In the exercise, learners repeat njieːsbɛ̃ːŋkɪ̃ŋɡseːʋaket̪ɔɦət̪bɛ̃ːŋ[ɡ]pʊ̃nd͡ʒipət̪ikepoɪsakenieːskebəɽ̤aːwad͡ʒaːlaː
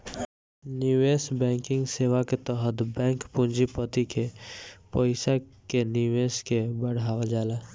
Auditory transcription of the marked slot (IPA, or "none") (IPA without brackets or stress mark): k